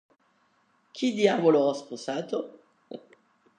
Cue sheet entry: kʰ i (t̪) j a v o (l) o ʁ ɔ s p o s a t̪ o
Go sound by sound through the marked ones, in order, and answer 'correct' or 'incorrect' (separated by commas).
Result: incorrect, correct